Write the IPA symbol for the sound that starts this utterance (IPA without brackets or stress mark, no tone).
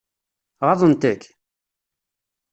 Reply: ʁ